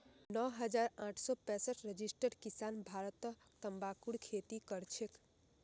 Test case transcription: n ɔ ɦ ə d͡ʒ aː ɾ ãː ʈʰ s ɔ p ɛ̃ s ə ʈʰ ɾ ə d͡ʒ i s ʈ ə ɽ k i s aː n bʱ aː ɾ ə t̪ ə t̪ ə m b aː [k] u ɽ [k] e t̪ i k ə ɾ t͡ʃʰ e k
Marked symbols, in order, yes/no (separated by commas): yes, no